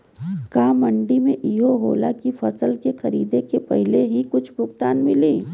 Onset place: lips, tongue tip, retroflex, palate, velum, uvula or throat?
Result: velum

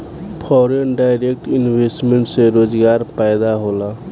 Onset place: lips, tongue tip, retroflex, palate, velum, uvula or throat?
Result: lips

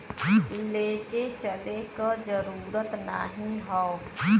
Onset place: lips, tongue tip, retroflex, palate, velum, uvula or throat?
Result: tongue tip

